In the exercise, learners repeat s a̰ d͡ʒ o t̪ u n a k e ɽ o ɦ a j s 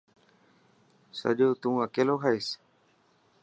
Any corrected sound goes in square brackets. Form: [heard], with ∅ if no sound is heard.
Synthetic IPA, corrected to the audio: s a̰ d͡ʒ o t̪ u [ŋ] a k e [l] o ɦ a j s